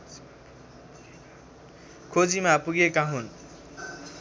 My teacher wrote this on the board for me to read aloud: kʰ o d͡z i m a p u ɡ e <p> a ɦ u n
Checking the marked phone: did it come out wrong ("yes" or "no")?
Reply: yes